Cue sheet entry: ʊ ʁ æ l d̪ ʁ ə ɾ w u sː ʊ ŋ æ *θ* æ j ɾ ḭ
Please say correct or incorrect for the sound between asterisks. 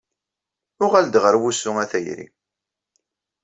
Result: correct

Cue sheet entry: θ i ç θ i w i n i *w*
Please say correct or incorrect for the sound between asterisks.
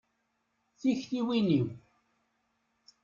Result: correct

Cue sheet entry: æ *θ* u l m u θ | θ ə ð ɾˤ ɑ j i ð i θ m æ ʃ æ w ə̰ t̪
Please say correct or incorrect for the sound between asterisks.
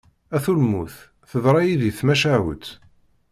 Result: correct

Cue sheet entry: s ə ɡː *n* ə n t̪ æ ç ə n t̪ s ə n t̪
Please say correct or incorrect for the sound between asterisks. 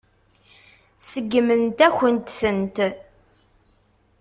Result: incorrect: m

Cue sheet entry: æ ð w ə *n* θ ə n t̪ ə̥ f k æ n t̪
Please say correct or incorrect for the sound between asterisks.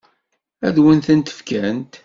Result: correct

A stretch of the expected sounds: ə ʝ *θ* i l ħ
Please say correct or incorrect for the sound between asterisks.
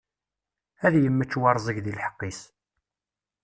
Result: incorrect: ð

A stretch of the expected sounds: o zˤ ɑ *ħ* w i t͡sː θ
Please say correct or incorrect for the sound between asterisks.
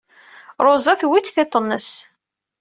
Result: incorrect: θ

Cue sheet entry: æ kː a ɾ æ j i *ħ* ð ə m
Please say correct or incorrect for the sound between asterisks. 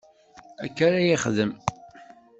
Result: incorrect: χ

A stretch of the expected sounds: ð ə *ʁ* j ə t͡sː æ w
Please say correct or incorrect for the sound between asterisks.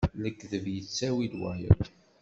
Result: incorrect: v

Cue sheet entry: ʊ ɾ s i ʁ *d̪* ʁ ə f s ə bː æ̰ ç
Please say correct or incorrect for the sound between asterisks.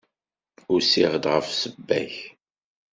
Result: correct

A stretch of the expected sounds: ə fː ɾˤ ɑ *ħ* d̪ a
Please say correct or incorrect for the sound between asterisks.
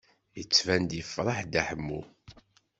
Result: correct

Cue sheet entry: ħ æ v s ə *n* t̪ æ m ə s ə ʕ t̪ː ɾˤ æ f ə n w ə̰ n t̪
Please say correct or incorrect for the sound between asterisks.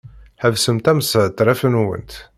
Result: incorrect: m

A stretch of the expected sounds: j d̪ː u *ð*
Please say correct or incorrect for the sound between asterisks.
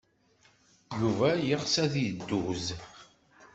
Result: incorrect: z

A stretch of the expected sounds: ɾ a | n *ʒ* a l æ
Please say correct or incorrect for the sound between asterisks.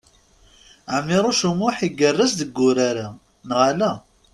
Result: incorrect: ʁ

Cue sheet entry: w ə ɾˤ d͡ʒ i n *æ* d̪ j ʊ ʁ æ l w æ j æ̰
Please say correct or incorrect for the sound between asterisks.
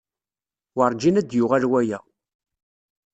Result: correct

